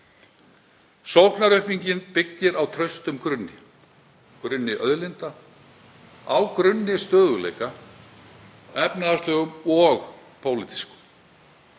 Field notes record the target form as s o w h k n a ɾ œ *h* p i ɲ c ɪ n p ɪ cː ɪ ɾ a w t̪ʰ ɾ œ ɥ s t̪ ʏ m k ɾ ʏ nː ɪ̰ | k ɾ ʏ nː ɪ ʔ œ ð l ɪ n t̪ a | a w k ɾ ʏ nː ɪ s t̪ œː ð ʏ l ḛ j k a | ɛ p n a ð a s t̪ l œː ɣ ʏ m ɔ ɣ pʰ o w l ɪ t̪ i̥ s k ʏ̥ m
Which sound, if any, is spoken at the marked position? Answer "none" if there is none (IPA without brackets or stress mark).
h